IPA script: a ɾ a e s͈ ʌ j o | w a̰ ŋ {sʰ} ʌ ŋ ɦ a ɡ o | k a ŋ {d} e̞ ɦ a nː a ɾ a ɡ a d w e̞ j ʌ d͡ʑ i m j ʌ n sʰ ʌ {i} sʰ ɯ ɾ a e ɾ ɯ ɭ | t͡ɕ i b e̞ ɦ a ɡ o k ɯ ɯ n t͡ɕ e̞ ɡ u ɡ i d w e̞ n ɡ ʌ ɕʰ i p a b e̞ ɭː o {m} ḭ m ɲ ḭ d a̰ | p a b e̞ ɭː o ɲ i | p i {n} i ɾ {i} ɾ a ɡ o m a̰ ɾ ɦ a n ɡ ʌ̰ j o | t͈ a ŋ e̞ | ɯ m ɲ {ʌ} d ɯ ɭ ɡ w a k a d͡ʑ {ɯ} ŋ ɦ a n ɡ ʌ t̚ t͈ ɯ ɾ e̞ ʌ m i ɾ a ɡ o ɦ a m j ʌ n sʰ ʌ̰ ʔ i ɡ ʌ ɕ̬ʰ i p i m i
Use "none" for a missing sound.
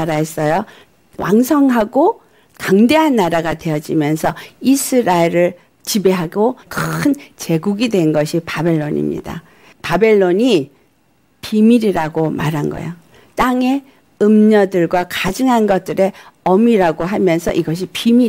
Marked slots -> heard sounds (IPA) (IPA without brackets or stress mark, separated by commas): sʰ, d, i, ɲ, m, i, ʌ, ɯ